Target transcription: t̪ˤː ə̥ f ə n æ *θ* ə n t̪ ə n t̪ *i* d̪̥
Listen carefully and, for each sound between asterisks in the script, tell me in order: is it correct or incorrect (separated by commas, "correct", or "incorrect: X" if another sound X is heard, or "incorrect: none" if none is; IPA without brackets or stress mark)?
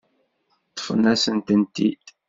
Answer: incorrect: s, correct